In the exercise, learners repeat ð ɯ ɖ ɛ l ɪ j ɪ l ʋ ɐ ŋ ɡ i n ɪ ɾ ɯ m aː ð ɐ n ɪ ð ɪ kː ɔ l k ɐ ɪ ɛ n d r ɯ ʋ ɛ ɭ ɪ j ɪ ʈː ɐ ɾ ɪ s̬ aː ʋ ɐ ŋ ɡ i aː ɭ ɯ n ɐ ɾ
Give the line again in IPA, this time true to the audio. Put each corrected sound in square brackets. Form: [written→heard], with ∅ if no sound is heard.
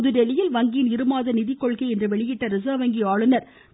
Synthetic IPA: ð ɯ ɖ ɛ l ɪ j ɪ l ʋ ɐ ŋ ɡ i n ɪ ɾ ɯ m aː ð ɐ n ɪ ð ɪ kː ɔ [l→ɭ] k ɐ ɪ ɛ n d r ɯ ʋ ɛ ɭ ɪ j ɪ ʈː ɐ ɾ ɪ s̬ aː ʋ ɐ ŋ ɡ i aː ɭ ɯ n ɐ ɾ